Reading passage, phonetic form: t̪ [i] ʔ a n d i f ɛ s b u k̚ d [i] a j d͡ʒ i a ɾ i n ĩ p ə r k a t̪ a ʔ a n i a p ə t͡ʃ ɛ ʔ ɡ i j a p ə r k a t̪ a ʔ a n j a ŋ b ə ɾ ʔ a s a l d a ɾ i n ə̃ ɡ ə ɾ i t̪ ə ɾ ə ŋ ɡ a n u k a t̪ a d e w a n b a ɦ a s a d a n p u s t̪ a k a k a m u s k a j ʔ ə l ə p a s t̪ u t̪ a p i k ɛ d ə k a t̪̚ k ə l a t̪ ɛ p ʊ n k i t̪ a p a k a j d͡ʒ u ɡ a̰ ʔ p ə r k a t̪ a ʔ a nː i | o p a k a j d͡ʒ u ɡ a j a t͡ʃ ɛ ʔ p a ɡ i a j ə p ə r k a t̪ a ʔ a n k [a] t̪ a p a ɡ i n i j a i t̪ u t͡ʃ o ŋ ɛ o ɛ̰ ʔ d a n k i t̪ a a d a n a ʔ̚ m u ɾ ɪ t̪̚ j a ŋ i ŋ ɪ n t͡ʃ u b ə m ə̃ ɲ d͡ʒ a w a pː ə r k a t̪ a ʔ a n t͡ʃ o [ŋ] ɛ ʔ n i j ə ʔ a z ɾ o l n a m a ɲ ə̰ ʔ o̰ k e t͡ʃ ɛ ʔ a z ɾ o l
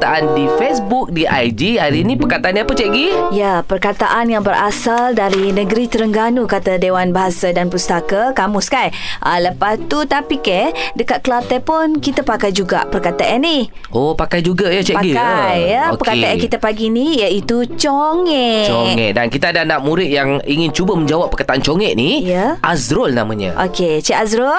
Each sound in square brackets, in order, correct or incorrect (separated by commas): incorrect, correct, incorrect, correct